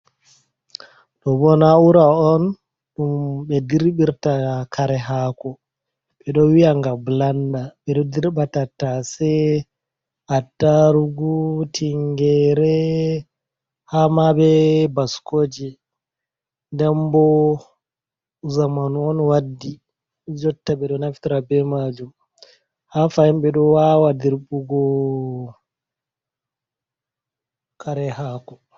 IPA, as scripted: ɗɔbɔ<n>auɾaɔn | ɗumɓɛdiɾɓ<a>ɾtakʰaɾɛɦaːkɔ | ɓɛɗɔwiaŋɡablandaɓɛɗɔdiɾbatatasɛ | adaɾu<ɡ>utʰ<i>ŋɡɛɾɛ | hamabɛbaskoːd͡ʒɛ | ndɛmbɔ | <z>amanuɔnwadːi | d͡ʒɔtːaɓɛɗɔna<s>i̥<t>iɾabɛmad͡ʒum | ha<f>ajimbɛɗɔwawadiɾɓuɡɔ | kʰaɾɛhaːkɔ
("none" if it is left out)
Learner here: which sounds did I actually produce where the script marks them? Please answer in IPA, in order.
n, i, ɡ, i, z, f, t, f

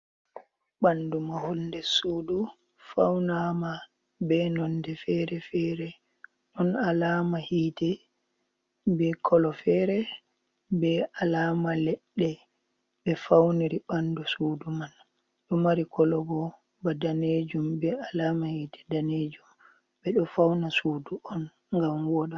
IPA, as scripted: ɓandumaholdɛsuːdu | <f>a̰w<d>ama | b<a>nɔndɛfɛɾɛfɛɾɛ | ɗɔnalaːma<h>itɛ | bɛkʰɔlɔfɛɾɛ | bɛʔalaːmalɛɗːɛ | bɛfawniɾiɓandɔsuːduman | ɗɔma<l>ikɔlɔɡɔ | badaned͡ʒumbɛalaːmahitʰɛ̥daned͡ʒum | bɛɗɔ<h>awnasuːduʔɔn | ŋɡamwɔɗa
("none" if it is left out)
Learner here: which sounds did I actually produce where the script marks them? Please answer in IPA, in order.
f, n, ɛ, h, ɾ, f

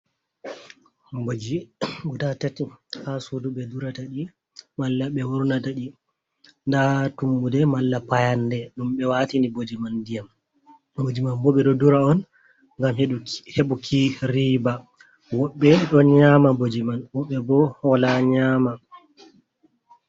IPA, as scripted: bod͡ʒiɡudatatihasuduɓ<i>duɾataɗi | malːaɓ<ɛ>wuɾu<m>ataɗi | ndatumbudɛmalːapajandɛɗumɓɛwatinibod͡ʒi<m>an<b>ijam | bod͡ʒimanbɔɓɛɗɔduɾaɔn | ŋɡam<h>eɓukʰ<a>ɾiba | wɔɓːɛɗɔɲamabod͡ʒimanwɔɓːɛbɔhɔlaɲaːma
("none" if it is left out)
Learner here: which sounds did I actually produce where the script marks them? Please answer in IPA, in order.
ɛ, ɛ, n, m, d, h, i

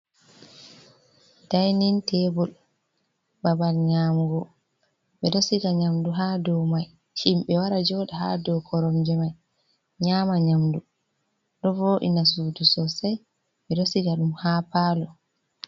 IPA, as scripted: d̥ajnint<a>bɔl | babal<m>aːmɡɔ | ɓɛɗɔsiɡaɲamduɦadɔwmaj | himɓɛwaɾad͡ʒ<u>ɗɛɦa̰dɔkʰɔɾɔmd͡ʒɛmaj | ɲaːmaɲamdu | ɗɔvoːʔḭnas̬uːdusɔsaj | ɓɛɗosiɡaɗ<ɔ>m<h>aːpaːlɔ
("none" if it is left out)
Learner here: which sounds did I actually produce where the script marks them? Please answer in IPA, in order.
ɛ, ɲ, ɔ, u, h

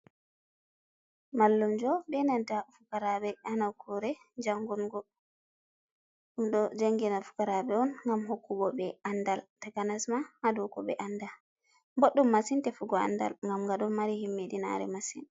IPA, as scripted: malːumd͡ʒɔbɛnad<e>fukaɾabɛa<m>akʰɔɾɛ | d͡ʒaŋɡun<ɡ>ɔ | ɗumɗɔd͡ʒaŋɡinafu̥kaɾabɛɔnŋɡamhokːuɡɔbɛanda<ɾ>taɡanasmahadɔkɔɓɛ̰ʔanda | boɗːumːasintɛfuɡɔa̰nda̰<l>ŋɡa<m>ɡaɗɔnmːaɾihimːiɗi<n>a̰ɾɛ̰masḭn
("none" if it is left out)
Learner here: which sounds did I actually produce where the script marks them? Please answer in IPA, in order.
a, n, ɡ, l, l, m, n

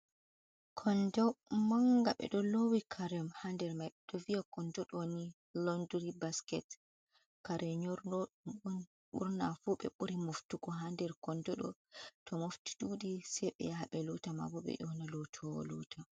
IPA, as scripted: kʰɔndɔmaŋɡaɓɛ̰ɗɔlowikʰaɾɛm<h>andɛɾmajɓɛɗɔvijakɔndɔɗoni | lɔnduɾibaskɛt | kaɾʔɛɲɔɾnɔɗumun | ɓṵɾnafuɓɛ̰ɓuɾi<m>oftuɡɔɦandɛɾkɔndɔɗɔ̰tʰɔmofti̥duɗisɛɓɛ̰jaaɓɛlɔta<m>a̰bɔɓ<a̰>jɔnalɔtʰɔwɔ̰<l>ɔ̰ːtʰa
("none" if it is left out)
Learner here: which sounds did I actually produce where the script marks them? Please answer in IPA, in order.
h, m, m, ɛ̰, l

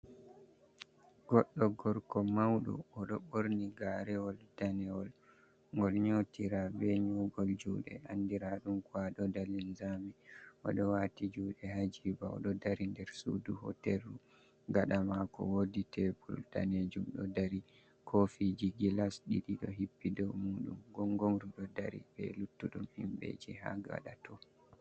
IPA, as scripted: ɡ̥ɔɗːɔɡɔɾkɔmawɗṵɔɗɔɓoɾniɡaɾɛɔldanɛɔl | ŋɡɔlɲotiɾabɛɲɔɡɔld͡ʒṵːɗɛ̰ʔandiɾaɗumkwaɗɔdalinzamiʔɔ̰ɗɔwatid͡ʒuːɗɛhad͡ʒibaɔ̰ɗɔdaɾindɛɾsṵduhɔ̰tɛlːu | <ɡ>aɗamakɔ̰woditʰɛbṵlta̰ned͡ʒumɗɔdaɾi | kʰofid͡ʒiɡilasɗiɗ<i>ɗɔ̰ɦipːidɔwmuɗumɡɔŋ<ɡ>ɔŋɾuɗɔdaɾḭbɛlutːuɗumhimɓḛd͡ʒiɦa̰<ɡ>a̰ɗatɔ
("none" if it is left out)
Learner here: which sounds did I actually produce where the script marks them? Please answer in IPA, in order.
ɡ, i, ɡ, ɡ

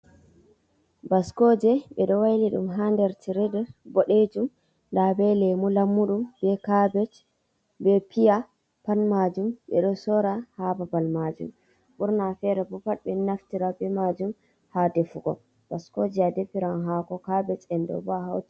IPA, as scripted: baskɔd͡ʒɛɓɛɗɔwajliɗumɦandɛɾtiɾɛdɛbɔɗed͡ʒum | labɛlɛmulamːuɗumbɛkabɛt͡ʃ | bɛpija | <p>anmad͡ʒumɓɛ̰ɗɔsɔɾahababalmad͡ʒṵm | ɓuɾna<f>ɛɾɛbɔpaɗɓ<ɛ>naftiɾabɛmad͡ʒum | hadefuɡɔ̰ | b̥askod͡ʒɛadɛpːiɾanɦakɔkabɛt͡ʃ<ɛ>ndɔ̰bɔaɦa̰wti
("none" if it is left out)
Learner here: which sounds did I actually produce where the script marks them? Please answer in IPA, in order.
p, f, ɛ, ɛ

